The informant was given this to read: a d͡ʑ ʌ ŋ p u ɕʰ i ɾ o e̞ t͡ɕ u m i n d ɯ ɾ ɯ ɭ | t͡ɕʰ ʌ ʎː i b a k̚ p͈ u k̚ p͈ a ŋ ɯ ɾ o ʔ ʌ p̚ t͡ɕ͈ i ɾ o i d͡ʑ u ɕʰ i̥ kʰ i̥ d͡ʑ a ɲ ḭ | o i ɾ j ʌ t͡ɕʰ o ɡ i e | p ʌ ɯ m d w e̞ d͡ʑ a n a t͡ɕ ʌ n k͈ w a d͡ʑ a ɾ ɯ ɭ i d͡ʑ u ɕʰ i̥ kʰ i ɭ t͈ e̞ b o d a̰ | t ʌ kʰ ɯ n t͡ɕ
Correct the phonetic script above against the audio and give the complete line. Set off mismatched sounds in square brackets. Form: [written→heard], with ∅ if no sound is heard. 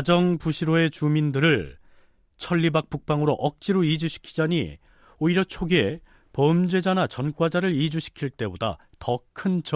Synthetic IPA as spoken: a d͡ʑ ʌ ŋ p u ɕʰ i ɾ o e̞ t͡ɕ u m i n d ɯ ɾ ɯ ɭ | t͡ɕʰ ʌ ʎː i b a k̚ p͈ u k̚ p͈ a ŋ ɯ ɾ o ʔ ʌ [p̚→k̚] t͡ɕ͈ i ɾ o i d͡ʑ u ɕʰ i̥ kʰ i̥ d͡ʑ a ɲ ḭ | o i ɾ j ʌ t͡ɕʰ o ɡ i e | p ʌ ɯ m [d→d͡ʑ] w e̞ d͡ʑ a n a t͡ɕ ʌ n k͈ w a d͡ʑ a ɾ ɯ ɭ i d͡ʑ u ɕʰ i̥ kʰ i ɭ t͈ e̞ b o d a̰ | t ʌ kʰ ɯ n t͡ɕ